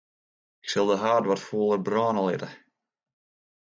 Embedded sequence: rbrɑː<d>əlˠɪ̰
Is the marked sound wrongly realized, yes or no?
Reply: yes